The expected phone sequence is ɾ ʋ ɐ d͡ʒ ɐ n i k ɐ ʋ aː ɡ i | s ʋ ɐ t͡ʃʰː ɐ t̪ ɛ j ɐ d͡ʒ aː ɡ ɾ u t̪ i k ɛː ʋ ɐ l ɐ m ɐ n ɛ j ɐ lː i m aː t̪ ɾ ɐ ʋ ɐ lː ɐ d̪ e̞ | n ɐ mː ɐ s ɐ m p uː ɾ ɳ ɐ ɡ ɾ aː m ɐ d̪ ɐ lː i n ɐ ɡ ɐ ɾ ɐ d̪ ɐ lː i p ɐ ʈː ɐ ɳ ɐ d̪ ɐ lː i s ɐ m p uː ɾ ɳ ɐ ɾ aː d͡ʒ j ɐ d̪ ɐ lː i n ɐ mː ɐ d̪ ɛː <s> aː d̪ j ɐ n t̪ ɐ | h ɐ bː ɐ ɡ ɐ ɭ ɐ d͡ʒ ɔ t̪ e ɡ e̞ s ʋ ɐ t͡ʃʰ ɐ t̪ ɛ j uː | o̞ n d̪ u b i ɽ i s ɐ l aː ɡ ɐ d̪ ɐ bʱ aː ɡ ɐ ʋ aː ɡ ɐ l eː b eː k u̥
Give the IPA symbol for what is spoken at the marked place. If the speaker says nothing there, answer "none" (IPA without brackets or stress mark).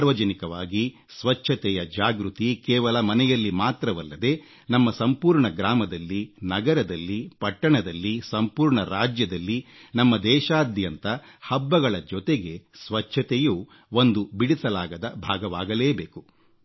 ʃ